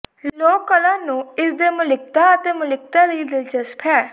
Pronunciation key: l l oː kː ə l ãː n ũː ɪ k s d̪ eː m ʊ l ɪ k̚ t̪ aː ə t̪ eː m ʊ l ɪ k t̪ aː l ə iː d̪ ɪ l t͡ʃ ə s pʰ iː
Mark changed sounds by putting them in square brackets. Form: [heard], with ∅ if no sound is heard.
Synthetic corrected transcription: l l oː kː ə l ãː n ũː ɪ [∅] s d̪ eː m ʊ l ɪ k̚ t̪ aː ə t̪ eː m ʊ l ɪ k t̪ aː l ə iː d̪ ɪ l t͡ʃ ə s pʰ [ɛː]